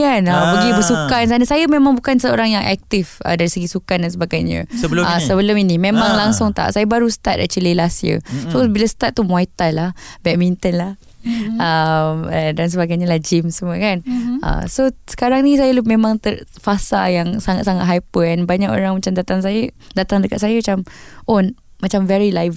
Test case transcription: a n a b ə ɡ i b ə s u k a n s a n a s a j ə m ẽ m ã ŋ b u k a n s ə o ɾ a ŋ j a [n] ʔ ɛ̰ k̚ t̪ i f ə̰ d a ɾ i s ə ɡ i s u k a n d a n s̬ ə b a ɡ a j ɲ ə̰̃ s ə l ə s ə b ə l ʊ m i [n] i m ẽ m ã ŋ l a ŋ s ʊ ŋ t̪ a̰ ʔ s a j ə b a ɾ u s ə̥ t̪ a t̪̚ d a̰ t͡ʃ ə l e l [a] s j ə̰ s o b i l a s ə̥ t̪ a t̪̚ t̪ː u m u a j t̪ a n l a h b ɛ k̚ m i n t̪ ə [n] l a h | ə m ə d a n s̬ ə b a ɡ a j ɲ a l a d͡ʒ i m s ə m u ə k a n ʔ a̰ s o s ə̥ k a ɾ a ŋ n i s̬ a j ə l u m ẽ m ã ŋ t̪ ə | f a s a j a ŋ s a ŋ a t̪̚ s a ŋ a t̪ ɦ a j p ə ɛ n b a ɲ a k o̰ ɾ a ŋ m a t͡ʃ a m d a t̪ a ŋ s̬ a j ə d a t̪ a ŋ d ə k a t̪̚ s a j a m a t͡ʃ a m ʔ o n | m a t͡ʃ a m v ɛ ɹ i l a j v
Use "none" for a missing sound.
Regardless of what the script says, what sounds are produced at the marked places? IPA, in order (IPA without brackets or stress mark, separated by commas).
ŋ, n, a, n